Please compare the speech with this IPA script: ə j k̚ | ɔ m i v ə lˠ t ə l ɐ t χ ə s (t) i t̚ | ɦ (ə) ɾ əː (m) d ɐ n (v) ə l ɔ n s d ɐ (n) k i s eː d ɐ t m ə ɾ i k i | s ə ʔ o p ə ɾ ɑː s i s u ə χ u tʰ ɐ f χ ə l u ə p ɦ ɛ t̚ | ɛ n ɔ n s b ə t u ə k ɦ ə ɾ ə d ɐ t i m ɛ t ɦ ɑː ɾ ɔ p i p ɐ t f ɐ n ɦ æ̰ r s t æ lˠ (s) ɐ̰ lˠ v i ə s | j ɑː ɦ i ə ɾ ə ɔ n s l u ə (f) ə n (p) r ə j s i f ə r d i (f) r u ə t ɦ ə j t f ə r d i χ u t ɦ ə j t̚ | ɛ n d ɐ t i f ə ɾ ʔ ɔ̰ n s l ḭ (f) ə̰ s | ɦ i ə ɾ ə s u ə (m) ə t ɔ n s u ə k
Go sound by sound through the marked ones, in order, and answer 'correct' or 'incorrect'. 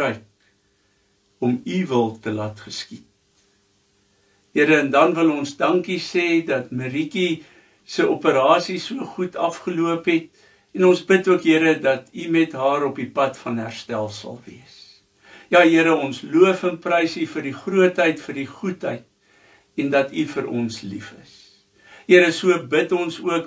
incorrect, correct, incorrect, correct, incorrect, correct, correct, correct, incorrect, correct, incorrect

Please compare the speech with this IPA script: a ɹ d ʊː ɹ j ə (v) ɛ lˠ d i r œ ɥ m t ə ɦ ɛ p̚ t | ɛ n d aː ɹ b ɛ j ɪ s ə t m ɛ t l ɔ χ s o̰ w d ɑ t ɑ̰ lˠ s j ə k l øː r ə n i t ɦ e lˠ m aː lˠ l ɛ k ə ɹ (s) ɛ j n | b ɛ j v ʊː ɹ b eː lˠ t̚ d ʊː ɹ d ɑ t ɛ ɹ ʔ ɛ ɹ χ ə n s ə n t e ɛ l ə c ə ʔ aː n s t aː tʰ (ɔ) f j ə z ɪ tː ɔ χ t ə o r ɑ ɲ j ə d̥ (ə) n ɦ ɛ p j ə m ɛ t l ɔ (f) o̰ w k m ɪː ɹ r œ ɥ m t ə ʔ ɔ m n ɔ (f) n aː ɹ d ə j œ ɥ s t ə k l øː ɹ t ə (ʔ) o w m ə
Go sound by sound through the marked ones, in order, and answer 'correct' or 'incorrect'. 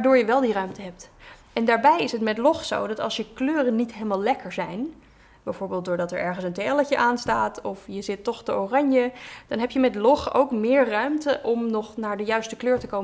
incorrect, incorrect, correct, incorrect, incorrect, incorrect, incorrect

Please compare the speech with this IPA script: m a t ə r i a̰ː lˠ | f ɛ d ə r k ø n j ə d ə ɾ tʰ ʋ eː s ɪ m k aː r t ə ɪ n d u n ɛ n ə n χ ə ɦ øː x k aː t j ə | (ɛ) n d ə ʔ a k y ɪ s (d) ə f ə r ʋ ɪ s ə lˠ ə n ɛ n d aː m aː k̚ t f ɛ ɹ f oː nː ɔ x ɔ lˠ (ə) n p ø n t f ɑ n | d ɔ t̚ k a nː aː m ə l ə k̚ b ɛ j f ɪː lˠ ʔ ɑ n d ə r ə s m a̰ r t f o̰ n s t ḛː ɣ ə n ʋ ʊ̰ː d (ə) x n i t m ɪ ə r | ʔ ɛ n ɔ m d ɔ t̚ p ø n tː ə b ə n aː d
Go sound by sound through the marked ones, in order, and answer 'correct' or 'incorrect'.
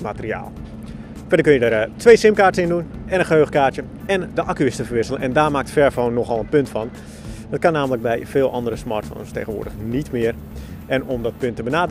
correct, incorrect, correct, correct

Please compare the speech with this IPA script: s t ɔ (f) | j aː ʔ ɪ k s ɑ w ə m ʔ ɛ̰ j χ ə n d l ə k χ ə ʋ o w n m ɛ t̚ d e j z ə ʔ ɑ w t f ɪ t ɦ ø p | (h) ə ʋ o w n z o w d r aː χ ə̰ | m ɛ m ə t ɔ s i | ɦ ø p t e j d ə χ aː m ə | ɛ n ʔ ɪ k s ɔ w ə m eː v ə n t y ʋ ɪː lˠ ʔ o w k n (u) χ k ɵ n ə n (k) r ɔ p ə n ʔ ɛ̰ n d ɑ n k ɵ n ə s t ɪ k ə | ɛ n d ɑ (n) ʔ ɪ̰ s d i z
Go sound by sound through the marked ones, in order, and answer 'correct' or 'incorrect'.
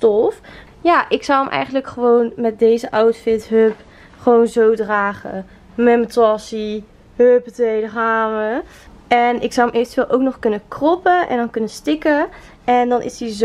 correct, incorrect, incorrect, correct, correct

